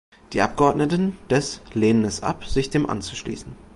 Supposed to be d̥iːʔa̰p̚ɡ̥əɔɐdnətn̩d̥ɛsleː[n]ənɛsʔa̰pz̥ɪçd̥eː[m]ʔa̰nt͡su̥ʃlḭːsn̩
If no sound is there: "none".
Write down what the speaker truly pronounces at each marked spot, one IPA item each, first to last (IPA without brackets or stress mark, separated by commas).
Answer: n, m